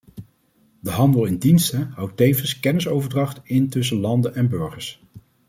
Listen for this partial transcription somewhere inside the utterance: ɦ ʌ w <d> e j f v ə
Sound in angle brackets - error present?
yes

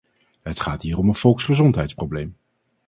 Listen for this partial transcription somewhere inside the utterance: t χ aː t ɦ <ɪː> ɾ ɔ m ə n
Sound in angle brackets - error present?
yes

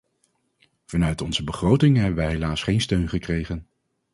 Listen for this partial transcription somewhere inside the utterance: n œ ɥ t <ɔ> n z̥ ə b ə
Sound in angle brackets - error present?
no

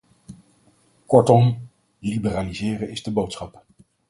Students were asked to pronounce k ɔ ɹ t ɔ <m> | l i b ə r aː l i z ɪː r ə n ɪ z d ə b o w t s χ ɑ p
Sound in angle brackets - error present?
no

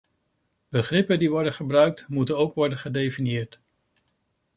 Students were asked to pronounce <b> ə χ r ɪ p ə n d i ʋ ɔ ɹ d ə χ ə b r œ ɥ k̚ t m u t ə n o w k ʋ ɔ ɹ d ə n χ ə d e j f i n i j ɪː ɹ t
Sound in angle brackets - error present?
no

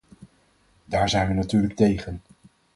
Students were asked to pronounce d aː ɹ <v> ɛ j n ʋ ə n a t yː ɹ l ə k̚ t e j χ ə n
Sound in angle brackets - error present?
yes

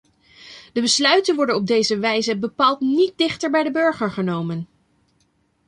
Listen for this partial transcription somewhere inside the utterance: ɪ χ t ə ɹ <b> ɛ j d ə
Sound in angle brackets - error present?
no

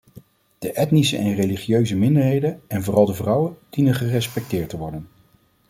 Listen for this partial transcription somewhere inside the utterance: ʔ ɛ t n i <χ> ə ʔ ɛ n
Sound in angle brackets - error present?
yes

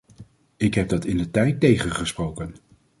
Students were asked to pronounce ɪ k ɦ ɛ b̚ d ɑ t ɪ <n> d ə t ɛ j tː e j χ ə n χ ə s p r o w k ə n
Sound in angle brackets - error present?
no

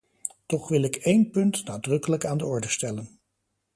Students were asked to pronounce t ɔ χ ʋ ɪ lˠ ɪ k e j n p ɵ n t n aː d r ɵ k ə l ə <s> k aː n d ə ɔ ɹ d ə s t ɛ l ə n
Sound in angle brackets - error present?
yes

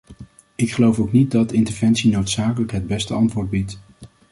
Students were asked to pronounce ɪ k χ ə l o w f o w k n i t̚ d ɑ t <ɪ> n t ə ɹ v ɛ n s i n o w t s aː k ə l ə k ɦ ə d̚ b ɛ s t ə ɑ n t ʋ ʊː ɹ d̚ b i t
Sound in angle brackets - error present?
no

